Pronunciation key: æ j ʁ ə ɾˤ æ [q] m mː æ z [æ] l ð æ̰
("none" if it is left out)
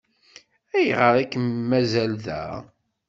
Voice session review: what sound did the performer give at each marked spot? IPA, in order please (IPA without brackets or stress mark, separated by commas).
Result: k, æ